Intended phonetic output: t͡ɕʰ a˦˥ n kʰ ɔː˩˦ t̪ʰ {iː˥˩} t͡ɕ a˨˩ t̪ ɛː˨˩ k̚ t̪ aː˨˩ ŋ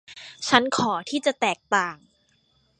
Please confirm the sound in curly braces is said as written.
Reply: yes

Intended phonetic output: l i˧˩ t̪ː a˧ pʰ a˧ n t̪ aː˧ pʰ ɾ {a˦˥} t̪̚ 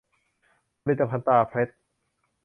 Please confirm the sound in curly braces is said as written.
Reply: no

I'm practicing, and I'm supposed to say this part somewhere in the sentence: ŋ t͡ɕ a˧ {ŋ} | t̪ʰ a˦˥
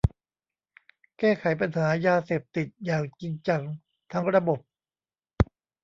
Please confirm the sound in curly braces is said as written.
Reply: yes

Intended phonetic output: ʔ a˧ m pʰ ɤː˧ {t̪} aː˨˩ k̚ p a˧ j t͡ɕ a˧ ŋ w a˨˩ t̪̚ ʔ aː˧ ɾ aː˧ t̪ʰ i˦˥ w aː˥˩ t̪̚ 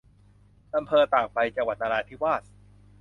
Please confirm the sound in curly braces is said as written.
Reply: yes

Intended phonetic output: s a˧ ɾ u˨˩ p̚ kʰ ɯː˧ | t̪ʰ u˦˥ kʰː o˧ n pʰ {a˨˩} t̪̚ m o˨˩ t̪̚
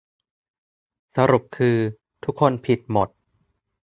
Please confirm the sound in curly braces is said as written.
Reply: no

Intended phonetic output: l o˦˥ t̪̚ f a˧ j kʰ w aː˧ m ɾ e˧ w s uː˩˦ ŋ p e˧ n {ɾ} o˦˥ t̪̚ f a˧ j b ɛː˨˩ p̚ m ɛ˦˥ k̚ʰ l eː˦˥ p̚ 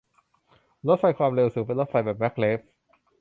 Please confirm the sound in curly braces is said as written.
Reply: no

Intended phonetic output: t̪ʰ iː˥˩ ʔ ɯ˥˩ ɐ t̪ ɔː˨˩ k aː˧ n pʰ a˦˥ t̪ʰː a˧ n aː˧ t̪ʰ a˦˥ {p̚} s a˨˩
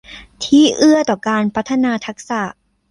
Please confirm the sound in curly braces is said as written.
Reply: no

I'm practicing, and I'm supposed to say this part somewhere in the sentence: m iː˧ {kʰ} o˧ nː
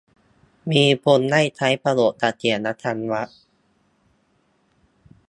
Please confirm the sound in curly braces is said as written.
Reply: no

